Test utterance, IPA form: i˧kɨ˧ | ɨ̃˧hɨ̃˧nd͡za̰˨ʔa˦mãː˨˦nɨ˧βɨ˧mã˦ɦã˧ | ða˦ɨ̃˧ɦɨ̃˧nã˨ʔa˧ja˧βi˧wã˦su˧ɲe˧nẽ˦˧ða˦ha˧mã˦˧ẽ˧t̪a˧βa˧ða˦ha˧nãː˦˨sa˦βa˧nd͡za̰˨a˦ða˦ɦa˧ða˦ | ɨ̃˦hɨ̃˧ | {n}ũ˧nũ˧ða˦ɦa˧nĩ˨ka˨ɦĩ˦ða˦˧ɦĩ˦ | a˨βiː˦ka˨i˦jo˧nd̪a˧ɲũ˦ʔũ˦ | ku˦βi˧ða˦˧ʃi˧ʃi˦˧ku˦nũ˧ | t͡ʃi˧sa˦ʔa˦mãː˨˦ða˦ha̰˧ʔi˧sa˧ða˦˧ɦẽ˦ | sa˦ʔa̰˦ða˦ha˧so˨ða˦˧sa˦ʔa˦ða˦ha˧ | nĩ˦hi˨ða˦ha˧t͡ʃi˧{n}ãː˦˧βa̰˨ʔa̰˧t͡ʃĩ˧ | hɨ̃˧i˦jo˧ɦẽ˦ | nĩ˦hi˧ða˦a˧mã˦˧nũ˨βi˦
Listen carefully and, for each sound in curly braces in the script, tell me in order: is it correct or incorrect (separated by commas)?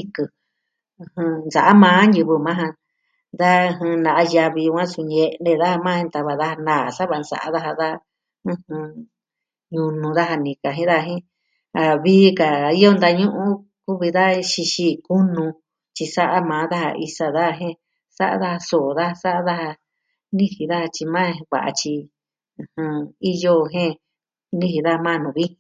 incorrect, incorrect